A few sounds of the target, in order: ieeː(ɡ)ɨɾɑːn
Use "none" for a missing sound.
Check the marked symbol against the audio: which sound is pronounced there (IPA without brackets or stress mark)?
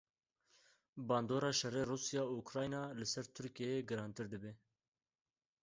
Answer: ɡ